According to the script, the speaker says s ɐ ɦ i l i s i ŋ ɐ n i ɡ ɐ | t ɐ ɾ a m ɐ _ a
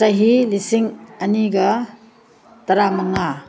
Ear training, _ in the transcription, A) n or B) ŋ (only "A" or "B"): B